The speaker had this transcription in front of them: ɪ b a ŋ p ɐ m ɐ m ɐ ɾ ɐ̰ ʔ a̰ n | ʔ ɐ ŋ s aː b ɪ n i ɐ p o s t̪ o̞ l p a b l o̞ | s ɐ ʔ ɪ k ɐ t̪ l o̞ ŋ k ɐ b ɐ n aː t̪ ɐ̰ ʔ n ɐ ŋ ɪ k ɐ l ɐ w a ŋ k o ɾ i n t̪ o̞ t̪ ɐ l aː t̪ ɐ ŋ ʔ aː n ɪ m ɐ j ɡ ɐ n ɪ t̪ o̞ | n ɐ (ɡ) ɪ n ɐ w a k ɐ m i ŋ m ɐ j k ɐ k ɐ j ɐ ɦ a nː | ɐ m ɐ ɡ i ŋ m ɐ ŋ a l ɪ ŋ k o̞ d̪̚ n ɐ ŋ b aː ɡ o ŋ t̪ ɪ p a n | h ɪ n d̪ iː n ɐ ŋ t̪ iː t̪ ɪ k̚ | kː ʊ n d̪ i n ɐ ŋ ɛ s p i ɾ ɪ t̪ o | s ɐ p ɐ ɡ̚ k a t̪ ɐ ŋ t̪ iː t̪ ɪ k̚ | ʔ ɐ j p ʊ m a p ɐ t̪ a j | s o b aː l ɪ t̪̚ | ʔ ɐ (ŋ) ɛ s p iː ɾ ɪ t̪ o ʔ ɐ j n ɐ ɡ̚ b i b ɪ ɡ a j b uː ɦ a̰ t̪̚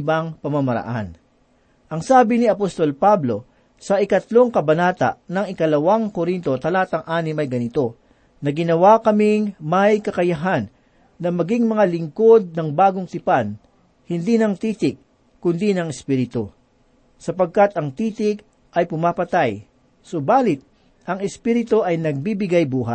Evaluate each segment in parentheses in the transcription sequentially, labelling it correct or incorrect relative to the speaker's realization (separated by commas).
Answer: correct, correct